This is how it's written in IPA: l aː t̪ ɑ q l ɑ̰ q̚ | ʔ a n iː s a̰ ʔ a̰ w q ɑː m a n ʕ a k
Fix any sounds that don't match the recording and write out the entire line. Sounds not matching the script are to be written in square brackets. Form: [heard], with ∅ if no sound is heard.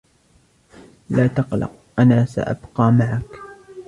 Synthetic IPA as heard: l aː t̪ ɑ q l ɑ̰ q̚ | ʔ a n [aː] s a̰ ʔ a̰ [b] q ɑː m a [∅] ʕ a k